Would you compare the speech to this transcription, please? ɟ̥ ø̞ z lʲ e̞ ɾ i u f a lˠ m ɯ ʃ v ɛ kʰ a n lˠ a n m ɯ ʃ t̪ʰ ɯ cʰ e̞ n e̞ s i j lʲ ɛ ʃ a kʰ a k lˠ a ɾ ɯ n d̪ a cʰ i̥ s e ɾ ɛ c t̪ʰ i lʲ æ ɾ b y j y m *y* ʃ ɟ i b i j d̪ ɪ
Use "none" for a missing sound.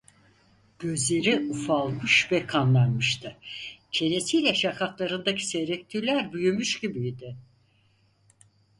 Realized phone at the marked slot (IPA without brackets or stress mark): y